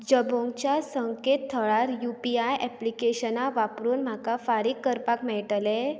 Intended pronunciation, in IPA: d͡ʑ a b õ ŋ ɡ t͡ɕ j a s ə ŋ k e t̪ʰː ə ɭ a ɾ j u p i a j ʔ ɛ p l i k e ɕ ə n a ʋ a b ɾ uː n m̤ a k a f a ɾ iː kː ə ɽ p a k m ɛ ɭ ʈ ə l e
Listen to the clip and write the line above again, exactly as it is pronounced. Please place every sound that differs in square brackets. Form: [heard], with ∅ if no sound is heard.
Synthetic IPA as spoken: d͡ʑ [ə] b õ ŋ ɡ t͡ɕ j a s ə ŋ k e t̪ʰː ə ɭ a ɾ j u p i a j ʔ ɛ p l i k e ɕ ə n a ʋ a [p] ɾ uː n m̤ a k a f a ɾ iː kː ə [ɾ] p a k m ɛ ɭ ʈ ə l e